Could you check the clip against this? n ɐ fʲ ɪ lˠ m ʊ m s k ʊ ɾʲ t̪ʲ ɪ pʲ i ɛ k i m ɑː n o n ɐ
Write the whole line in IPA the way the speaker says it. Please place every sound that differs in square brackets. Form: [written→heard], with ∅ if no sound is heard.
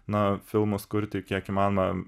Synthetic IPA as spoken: n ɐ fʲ ɪ lˠ m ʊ [m→∅] s k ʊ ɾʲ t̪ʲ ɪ [pʲ→kʲ] i ɛ k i m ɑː n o [n→m] ɐ